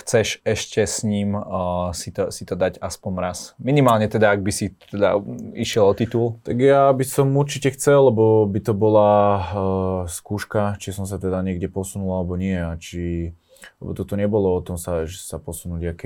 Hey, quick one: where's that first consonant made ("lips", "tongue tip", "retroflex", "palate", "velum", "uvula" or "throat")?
velum